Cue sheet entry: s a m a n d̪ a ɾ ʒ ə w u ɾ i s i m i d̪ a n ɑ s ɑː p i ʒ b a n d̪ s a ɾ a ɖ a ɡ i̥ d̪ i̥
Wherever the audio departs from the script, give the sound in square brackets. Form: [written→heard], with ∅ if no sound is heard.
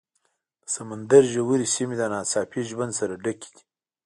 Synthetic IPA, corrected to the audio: s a m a n d̪ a ɾ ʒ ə w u ɾ i s i m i d̪ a n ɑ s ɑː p i ʒ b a n d̪ s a ɾ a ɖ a [ɡ→k] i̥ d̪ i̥